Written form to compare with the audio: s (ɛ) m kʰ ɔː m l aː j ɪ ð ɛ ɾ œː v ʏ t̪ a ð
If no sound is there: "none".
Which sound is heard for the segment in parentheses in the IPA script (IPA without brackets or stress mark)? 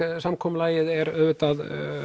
a